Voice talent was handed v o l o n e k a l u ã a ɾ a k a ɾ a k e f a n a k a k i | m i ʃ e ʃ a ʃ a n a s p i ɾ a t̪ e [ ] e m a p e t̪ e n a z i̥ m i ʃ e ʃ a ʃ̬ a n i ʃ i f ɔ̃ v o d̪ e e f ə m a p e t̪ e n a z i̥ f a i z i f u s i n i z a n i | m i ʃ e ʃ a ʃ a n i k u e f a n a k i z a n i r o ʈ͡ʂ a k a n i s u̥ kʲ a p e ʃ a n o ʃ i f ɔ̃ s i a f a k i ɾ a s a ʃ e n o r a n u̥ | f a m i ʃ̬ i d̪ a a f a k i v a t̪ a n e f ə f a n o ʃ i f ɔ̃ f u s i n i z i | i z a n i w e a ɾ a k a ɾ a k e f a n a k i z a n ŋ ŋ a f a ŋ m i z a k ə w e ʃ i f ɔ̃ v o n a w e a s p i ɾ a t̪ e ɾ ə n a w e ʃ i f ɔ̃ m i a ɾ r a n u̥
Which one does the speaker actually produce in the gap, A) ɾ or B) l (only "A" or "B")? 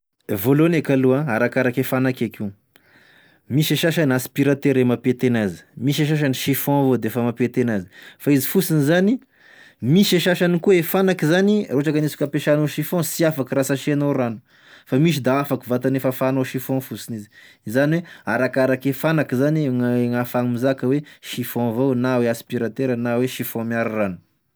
A